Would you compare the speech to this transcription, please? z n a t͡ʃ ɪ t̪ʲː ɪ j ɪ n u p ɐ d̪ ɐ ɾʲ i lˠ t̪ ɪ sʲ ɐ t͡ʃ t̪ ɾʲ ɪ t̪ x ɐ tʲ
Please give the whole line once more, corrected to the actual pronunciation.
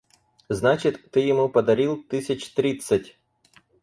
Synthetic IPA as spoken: z n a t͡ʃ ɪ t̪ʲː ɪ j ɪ m u p ɐ d̪ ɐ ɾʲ i lˠ t̪ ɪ sʲ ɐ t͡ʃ t̪ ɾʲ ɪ t̪ s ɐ tʲ